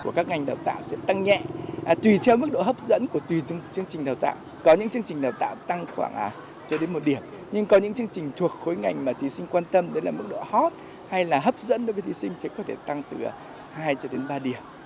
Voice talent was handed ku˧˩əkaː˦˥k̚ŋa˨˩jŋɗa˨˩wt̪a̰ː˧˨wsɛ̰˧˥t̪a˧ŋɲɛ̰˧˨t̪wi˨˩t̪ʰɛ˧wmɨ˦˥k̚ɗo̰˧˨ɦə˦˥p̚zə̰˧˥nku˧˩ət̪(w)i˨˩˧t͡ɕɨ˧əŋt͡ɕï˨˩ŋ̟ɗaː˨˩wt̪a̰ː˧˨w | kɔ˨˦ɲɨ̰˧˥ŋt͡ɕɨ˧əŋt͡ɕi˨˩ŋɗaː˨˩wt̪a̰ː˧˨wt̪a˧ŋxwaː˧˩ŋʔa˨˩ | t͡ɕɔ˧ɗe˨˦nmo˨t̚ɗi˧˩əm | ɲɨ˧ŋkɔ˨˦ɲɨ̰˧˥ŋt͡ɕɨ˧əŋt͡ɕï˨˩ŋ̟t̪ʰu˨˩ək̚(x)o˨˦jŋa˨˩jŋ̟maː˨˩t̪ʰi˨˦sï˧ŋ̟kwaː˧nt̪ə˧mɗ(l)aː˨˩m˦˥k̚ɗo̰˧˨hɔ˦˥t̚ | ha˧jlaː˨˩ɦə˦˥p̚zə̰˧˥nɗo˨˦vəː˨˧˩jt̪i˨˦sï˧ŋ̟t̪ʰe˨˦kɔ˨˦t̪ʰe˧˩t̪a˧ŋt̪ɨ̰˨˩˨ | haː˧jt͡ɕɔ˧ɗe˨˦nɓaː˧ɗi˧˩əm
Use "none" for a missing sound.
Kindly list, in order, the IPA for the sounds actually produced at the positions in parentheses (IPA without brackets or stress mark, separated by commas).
w, x, l